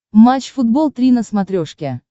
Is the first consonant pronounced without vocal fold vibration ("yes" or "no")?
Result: no